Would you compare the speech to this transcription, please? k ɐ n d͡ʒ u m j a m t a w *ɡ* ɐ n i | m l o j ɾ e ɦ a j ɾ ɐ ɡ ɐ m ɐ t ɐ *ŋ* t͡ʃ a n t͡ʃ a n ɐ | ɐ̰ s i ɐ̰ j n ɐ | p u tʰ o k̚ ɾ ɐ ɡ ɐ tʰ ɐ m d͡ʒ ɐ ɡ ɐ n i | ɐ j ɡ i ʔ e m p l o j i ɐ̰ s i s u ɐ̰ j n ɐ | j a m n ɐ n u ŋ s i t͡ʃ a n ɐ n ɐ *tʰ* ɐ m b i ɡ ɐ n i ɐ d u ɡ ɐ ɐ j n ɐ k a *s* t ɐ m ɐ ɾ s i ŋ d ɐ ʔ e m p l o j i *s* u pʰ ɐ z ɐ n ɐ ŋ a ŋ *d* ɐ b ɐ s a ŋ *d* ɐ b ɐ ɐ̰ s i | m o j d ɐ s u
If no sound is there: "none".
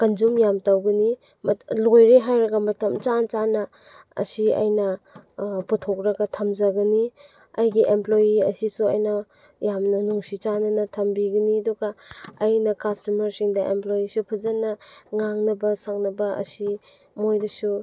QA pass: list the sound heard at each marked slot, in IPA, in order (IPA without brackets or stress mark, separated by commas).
ɡ, m, tʰ, s, s, n, n